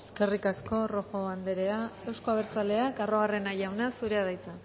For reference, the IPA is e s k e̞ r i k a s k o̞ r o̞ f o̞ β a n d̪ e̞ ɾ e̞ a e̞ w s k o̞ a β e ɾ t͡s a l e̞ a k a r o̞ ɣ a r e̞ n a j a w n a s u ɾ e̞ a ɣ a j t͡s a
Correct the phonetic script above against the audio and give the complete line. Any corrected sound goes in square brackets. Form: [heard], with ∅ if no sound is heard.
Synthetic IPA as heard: e s k e̞ r i k a s k o̞ r o̞ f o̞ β a n d̪ e̞ ɾ e̞ a e̞ w s k o̞ a β e ɾ t͡s a l e̞ a k a r o̞ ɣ a r e̞ n a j a w n a s u ɾ e̞ a [ð] a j t͡s a

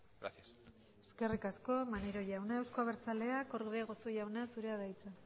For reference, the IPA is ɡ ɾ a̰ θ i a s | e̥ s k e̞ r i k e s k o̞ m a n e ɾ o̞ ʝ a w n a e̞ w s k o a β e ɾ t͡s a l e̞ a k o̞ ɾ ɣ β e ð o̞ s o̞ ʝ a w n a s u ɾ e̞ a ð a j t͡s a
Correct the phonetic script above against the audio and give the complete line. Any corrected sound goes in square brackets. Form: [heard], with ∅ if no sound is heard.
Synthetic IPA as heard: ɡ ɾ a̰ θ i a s | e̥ s k e̞ r i k [a] s k o̞ m a n e ɾ o̞ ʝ a w n a e̞ w s k o a β e ɾ t͡s a l e̞ a k o̞ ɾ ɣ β e [ɣ] o̞ s o̞ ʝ a w n a s u ɾ e̞ a ð a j t͡s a

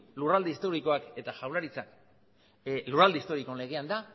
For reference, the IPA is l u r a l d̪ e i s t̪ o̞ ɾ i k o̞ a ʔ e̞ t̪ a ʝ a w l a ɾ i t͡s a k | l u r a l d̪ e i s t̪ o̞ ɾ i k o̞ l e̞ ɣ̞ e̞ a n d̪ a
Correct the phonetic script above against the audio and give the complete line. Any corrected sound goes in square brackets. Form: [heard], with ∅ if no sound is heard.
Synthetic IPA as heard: l u r a l d̪ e i s t̪ o̞ ɾ i k o̞ a [k] e̞ t̪ a ʝ a w l a ɾ i t͡s a k | l u r a l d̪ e i s t̪ o̞ ɾ i k o̞ l e̞ ɣ̞ e̞ a n d̪ a

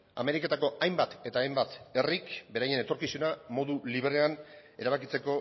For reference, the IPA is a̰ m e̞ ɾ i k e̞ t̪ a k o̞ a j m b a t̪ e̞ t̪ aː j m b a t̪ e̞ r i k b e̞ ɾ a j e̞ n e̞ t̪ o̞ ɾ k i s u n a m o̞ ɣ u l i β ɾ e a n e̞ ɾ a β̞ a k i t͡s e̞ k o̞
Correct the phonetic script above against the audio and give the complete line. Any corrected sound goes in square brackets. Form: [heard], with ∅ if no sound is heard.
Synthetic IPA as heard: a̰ m e̞ ɾ i k e̞ t̪ a k o̞ a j m b a t̪ e̞ t̪ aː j m b a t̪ e̞ r i k b e̞ ɾ a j e̞ n e̞ t̪ o̞ ɾ k i s u n a m o̞ [ð] u l i β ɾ e a n e̞ ɾ a β̞ a k i t͡s e̞ k o̞

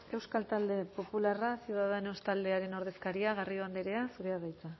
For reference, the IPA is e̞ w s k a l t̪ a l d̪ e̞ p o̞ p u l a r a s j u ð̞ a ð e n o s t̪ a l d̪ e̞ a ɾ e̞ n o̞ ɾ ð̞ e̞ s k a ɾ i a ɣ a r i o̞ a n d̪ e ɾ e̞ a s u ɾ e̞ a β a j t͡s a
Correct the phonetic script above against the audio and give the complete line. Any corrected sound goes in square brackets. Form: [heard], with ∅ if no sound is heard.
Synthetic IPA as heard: e̞ w s k a l t̪ a l d̪ e̞ p o̞ p u l a r a s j u ð̞ a ð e n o s t̪ a l d̪ e̞ a ɾ e̞ n o̞ ɾ ð̞ e̞ s k a ɾ i a ɣ a r i o̞ a n d̪ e ɾ e̞ a s u ɾ e̞ a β a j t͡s a

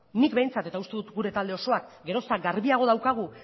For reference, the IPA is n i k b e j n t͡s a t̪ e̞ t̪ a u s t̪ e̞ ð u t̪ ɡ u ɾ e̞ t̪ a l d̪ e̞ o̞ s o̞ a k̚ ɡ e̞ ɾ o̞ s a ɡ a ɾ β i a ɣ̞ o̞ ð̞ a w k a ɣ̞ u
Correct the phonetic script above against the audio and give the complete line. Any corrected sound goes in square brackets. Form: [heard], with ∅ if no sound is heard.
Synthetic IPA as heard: n i k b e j n t͡s a t̪ e̞ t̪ a u s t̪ e̞ ð u t̪ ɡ u ɾ e̞ t̪ a l d̪ e̞ o̞ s o̞ a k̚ ɡ e̞ ɾ o̞ s a ɡ a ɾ β i a ɣ̞ o̞ ð̞ a w k a ɣ̞ u

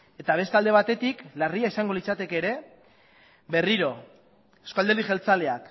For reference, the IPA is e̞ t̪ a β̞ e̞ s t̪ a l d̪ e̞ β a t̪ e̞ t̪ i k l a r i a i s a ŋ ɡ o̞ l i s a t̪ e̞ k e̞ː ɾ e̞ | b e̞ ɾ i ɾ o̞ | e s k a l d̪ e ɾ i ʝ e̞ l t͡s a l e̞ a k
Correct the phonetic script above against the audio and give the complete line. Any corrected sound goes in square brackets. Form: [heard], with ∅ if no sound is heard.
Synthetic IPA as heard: e̞ t̪ a β̞ e̞ s t̪ a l d̪ e̞ β a t̪ e̞ t̪ i k l a r i a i s a ŋ ɡ o̞ l i [t͡s] a t̪ e̞ k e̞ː ɾ e̞ | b e̞ [r] i ɾ o̞ | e s k a l d̪ e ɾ i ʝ e̞ l t͡s a l e̞ a k

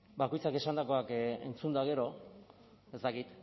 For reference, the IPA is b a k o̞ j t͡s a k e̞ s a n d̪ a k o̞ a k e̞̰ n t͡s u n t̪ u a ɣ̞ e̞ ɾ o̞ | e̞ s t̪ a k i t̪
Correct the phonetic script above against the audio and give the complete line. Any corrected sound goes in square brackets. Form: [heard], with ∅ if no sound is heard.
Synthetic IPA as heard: b a k o̞ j t͡s a k e̞ s a n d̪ a k o̞ a k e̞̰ n t͡s u n [d̪] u a ɣ̞ e̞ ɾ o̞ | e̞ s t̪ a k i t̪

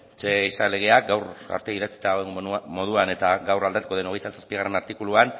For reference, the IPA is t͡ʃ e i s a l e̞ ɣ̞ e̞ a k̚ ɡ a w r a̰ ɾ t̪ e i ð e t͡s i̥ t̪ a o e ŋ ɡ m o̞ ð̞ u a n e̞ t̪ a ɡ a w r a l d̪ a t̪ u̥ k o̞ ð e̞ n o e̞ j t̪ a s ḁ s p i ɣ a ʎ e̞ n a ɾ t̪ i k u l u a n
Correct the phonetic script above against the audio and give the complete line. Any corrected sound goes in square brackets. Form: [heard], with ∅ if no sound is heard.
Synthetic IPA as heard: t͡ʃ e i s a l e̞ ɣ̞ e̞ a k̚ ɡ a w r a̰ ɾ t̪ e i ð [a] t͡s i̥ t̪ a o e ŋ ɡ m o̞ ð̞ u a n e̞ t̪ a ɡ a w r a l d̪ a t̪ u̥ k o̞ ð e̞ n o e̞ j t̪ a s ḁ s p i ɣ a [r] e̞ n a ɾ t̪ i k u l u a n

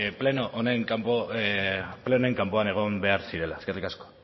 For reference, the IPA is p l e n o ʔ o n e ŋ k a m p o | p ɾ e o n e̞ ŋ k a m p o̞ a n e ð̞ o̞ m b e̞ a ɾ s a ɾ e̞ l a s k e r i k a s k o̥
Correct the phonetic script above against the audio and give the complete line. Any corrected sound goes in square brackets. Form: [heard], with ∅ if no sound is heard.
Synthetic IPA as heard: p l e n o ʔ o n e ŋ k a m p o | p [l] e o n e̞ ŋ k a m p o̞ a n e [ɣ̞] o̞ m b e̞ a ɾ s [i] ɾ e̞ l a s k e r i k a s k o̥

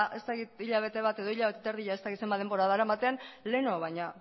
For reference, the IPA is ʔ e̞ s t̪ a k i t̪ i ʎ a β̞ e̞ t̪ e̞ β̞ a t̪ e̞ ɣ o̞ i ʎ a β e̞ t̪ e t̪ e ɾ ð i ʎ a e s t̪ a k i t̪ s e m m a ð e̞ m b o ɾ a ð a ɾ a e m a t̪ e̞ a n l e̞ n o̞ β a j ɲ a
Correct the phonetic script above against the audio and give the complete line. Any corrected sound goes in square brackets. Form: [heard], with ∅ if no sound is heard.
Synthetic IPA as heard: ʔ e̞ s t̪ a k i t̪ i ʎ a β̞ e̞ t̪ e̞ β̞ a t̪ e̞ [ð] o̞ i ʎ a β e̞ t̪ e t̪ e ɾ ð i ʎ a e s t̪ a k i t̪ s e m [b] a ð e̞ m b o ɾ a ð a ɾ a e m a t̪ e̞ a n l e̞ n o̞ β a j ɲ a

